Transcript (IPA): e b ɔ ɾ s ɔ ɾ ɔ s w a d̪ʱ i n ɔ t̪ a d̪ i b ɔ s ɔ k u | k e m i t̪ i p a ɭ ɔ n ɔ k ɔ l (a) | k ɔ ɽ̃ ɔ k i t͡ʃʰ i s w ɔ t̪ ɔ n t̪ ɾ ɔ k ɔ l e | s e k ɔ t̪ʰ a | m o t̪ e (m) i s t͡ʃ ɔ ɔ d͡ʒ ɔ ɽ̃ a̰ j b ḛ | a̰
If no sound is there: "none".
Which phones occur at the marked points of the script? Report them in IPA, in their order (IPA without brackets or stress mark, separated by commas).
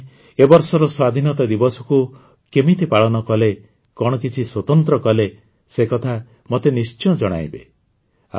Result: e, n